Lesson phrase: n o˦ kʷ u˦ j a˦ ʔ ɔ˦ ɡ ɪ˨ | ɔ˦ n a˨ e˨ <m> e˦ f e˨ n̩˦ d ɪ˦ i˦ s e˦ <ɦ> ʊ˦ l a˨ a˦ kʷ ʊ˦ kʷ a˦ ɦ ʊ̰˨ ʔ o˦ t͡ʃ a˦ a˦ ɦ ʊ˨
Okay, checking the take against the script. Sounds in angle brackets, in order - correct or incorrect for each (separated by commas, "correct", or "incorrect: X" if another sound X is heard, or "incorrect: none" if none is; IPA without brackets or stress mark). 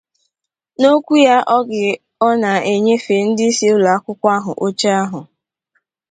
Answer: incorrect: ɲ, incorrect: none